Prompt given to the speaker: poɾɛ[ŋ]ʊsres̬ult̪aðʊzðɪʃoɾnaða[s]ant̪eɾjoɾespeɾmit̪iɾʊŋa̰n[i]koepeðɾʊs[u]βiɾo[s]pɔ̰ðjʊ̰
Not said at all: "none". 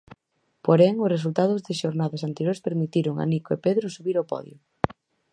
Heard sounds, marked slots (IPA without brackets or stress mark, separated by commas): ŋ, s, i, u, none